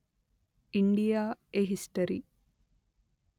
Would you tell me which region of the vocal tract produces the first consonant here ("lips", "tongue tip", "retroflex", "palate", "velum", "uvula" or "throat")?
retroflex